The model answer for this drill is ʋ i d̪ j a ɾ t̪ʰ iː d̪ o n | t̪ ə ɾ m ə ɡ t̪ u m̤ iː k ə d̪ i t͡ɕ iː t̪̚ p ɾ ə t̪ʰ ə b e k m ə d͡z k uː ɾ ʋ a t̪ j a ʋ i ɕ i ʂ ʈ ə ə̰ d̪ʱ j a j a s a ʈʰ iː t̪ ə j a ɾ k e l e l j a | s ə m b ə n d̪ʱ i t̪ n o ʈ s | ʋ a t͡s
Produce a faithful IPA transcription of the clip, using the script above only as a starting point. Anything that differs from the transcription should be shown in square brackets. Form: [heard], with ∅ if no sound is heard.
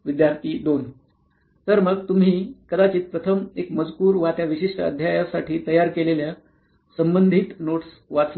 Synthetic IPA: ʋ i d̪ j a ɾ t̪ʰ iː d̪ o n | t̪ ə ɾ m ə ɡ t̪ u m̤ iː k ə d̪ [a] t͡ɕ iː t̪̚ p ɾ ə t̪ʰ ə [m] e k m ə d͡z k uː ɾ ʋ a t̪ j a ʋ i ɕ i ʂ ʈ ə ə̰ d̪ʱ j a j a s a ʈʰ iː t̪ ə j a ɾ k e l e l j a | s ə m b ə n d̪ʱ i t̪ n o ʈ s | ʋ a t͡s